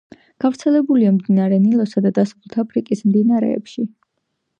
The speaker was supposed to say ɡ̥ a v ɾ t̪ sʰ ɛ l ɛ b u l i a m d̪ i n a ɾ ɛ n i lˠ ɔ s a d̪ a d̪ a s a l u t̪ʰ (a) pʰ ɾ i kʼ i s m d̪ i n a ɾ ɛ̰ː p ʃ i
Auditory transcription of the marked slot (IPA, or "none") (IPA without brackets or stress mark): a